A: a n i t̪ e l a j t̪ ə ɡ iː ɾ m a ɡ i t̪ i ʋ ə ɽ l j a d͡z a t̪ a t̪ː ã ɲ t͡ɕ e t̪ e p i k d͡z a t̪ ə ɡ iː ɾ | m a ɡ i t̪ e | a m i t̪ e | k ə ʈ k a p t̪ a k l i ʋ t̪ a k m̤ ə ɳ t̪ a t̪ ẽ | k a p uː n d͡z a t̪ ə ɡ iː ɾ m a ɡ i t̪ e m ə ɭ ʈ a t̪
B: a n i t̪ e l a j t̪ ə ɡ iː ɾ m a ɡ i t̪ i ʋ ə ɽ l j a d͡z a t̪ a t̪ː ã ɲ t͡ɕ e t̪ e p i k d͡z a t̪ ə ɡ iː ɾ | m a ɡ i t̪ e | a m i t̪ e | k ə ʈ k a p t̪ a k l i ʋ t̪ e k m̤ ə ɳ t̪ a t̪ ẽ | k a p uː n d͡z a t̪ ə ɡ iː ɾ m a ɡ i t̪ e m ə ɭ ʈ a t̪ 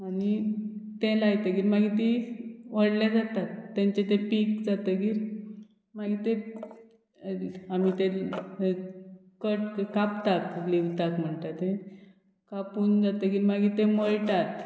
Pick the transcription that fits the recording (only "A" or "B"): A